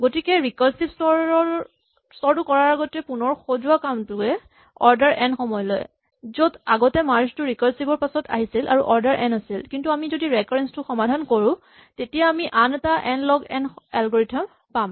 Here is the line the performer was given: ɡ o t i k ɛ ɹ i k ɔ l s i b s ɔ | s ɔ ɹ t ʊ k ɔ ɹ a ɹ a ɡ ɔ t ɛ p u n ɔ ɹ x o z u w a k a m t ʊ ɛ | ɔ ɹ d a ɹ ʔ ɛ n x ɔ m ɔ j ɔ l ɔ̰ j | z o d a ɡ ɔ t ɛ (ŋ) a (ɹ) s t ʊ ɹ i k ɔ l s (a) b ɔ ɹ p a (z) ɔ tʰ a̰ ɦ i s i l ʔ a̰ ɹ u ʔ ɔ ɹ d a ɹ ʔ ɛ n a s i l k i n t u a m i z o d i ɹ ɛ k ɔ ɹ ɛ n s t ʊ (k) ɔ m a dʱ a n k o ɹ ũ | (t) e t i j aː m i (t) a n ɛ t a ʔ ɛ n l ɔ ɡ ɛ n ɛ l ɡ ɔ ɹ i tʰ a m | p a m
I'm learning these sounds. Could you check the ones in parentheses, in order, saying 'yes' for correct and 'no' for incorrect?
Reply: no, yes, no, no, no, yes, no

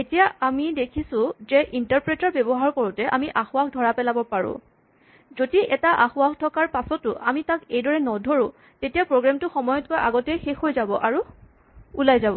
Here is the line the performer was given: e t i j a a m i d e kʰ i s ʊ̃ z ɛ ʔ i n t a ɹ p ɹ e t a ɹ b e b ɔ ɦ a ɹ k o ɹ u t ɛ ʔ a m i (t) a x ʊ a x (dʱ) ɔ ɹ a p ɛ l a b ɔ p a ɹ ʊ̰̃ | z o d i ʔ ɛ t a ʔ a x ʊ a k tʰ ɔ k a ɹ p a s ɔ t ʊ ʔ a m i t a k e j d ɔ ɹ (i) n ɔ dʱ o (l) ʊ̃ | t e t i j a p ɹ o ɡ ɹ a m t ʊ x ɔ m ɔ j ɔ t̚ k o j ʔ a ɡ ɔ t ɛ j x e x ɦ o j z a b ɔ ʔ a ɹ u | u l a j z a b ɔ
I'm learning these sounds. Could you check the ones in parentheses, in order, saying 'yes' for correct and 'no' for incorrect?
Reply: no, yes, no, no

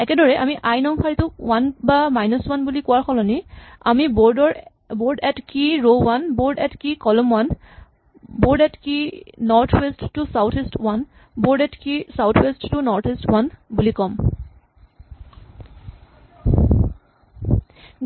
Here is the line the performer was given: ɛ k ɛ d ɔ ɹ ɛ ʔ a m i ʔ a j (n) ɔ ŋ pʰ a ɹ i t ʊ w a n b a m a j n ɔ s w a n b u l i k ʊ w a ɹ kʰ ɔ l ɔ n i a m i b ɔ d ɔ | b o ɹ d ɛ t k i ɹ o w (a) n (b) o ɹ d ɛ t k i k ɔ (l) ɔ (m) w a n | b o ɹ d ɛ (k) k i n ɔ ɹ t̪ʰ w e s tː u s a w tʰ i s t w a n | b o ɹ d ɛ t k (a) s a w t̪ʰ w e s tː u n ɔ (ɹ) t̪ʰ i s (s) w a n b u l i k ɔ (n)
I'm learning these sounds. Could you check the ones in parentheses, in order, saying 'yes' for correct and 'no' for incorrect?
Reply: yes, yes, yes, yes, yes, no, no, yes, no, no

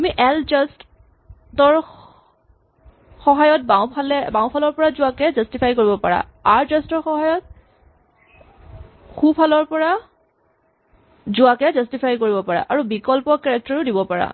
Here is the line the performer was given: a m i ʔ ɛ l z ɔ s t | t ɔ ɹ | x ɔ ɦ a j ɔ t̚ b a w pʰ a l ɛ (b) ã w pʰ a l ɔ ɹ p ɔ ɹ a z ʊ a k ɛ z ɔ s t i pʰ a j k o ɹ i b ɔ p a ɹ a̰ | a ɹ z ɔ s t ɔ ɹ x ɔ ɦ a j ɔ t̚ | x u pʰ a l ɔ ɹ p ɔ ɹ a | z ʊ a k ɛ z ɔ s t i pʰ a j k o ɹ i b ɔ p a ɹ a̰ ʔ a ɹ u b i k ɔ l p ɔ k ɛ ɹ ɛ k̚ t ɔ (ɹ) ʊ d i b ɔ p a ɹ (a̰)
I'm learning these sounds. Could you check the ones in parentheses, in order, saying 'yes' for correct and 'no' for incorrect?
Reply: yes, yes, yes

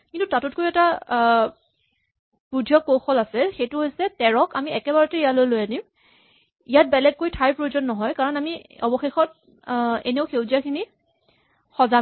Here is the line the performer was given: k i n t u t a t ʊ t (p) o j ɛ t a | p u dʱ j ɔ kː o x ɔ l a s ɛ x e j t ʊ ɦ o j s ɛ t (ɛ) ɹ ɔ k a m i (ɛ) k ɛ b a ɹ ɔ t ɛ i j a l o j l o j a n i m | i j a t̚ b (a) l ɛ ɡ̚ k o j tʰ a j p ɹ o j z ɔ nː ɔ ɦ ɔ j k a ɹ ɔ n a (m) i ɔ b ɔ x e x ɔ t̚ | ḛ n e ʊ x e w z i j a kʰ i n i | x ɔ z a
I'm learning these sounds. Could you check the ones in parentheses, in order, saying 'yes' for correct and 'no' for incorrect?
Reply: no, yes, yes, no, yes

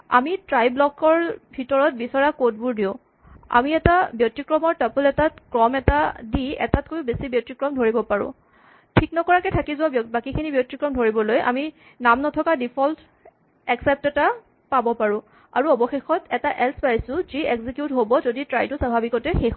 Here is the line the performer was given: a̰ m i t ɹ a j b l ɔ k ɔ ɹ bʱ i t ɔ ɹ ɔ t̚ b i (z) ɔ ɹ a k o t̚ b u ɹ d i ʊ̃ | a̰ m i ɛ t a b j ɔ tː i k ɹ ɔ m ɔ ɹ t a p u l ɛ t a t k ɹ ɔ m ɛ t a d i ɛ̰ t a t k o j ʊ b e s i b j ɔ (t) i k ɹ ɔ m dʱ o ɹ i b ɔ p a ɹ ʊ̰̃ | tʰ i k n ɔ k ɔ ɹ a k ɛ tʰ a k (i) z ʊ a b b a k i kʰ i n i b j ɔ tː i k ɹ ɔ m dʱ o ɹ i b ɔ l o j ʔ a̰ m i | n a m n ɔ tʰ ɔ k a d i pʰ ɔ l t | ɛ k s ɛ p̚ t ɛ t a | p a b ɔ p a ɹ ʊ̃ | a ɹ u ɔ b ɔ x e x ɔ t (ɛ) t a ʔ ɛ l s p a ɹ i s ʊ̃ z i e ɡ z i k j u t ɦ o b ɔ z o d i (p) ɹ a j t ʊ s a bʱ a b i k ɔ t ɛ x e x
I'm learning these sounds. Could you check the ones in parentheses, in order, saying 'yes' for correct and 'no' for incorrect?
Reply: no, yes, yes, yes, no

